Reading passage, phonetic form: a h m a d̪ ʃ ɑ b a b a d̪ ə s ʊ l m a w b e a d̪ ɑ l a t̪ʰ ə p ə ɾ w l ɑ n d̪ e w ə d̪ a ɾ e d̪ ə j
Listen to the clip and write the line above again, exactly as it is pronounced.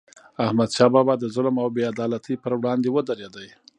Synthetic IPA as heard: a h m a d̪ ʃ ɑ b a b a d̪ ə z ʊ l m a w b e a d̪ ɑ l a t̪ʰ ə p ə ɾ w ɽ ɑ n d̪ e w ə d̪ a ɾ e d̪ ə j